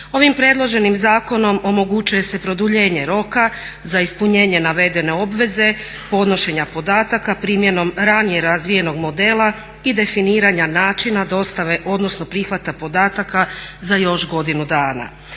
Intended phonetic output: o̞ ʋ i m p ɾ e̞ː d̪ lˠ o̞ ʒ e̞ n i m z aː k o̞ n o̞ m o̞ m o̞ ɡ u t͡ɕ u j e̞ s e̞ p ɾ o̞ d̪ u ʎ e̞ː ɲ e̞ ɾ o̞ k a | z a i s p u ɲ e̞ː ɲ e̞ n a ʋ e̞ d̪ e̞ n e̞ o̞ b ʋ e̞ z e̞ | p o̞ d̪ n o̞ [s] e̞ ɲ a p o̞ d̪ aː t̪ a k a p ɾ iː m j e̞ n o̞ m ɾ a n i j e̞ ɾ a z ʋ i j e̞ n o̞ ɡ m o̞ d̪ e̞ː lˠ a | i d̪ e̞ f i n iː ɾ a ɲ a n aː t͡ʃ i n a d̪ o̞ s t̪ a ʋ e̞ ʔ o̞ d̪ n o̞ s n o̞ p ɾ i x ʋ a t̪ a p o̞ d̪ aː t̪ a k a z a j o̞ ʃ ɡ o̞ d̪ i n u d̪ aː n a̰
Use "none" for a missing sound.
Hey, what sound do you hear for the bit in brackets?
ʃ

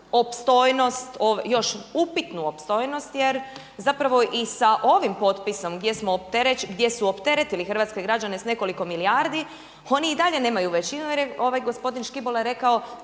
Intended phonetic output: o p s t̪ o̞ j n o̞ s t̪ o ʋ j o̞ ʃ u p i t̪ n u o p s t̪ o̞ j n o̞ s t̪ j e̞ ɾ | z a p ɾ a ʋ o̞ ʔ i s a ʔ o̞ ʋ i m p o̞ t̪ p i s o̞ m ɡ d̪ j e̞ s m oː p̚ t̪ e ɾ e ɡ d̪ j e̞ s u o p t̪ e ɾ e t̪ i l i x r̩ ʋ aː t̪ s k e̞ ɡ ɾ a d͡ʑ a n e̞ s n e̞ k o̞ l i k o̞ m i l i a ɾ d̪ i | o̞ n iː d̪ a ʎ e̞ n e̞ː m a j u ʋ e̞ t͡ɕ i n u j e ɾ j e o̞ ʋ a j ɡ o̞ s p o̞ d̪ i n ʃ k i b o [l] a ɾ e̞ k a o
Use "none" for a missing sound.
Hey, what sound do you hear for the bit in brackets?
l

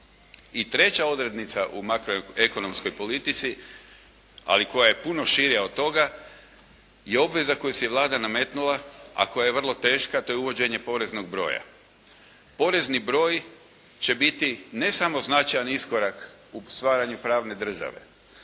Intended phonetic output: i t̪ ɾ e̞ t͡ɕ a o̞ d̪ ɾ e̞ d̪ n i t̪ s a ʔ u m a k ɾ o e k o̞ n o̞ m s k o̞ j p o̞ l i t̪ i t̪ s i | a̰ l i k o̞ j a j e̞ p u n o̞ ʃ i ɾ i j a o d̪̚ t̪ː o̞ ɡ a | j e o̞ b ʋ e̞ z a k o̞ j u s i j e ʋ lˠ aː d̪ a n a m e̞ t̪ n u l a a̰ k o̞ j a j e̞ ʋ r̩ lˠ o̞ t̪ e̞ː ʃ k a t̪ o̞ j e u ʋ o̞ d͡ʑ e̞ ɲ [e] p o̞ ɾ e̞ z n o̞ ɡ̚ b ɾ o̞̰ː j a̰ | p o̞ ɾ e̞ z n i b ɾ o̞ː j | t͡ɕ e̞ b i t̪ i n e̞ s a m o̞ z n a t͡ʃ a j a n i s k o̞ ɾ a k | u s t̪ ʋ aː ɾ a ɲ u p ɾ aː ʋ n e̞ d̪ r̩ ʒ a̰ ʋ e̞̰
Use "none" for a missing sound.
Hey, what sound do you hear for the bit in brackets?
e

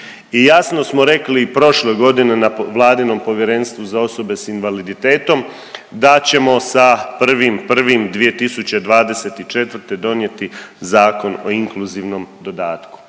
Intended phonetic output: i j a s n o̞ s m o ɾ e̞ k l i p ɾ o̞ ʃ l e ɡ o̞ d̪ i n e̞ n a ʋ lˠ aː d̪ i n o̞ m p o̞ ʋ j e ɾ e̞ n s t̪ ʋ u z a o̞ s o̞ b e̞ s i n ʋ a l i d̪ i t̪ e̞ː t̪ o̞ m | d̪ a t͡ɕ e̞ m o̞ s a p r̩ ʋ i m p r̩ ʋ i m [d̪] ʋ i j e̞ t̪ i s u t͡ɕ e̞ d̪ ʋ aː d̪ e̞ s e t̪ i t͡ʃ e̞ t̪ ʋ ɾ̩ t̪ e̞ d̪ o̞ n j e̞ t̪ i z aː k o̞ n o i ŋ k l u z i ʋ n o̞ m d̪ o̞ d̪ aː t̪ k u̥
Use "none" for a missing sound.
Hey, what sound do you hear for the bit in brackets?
d̪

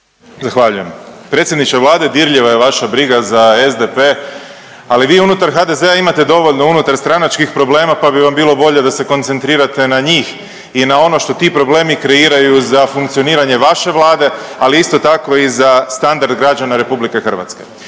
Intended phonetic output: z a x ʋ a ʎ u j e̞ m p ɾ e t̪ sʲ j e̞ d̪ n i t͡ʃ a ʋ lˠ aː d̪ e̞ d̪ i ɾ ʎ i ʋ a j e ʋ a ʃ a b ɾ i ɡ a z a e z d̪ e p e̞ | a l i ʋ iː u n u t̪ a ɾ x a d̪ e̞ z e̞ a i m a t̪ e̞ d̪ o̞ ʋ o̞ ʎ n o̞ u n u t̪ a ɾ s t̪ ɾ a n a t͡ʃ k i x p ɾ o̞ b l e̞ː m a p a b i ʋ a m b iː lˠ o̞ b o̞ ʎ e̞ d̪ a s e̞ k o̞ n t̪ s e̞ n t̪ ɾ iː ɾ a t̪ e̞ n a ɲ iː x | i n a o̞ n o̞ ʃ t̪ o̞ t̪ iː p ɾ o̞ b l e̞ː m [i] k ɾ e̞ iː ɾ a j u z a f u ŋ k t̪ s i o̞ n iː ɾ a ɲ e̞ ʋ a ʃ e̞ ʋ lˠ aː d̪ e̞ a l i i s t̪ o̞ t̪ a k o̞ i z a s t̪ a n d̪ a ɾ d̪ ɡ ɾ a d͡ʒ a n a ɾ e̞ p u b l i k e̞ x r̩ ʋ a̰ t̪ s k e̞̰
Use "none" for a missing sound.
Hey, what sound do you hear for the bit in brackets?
i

